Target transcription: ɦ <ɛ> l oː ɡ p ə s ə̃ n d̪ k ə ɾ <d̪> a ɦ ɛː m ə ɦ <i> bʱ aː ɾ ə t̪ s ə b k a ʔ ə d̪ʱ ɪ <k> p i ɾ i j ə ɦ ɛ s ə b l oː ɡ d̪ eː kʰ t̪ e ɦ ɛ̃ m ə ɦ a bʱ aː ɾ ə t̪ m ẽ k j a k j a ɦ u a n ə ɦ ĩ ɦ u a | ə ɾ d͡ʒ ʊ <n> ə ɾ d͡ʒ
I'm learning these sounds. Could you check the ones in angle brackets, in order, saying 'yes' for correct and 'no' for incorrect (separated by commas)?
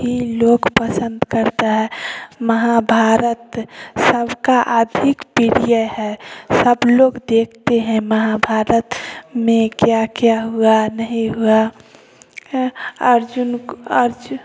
no, no, no, yes, yes